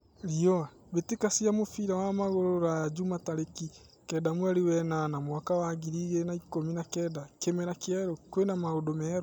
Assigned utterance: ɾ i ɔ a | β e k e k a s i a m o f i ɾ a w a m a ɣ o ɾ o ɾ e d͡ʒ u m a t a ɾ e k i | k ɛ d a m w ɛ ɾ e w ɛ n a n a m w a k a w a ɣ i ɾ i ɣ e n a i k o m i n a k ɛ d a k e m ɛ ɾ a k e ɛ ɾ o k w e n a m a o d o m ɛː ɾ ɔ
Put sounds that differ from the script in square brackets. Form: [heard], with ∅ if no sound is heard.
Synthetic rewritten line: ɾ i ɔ a | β e [t] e k a s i a m o f i ɾ a w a m a ɣ o ɾ o ɾ [a] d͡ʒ u m a t a ɾ e k i | k ɛ d a m w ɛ ɾ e w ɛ n a n a m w a k a w a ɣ i ɾ i ɣ e n a i k o m i n a k ɛ d a k e m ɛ ɾ a k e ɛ ɾ o k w e n a m a o d o m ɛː ɾ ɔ